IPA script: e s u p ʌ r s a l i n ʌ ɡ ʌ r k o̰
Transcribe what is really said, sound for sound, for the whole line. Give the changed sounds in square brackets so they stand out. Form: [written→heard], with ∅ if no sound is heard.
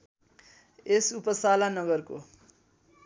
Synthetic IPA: e s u p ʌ [r→∅] s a l [i→a] n ʌ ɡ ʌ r k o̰

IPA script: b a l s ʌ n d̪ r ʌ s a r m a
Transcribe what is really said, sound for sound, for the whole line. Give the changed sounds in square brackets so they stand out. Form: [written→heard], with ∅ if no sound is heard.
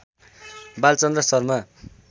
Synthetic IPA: b a l [s→t͡s] ʌ n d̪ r ʌ s [a→ʌ] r m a

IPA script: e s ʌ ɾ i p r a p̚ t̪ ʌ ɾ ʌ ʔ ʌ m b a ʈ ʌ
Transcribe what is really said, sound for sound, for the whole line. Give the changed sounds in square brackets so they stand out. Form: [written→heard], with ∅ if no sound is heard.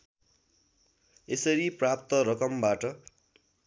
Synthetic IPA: e s ʌ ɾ i p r a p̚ t̪ ʌ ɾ ʌ [ʔ→k] ʌ m b a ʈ ʌ

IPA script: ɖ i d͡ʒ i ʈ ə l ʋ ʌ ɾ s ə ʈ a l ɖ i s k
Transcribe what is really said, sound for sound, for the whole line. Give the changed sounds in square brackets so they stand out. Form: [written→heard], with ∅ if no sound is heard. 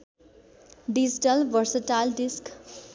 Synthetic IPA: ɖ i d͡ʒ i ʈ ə l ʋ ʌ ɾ s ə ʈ a l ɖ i s k

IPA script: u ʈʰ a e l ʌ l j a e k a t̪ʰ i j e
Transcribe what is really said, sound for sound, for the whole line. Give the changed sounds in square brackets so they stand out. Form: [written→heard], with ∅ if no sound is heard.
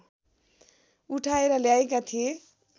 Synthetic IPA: u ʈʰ a e [l→ɾ] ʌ l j a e k a t̪ʰ i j e

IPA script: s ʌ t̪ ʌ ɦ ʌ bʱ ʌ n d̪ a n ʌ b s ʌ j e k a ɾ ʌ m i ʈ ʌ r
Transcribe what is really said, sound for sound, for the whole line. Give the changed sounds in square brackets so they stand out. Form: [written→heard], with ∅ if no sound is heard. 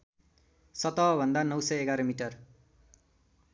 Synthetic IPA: s ʌ t̪ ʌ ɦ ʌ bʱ ʌ n d̪ a n ʌ [b→w] s ʌ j e [k→ɡ] a ɾ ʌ m i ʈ ʌ r

